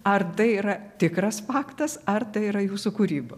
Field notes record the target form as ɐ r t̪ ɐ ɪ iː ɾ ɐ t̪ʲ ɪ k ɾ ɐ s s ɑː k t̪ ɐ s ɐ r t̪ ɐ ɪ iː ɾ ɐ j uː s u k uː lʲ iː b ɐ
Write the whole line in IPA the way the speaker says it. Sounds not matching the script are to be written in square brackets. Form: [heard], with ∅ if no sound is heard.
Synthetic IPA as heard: ɐ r t̪ ɐ ɪ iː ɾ ɐ t̪ʲ ɪ k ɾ ɐ s [f] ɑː k t̪ ɐ s ɐ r t̪ ɐ ɪ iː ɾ ɐ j uː s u k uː [ɾʲ] iː b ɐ